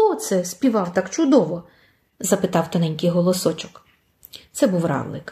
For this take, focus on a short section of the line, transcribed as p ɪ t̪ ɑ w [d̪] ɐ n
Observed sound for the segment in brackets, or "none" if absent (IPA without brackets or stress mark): t̪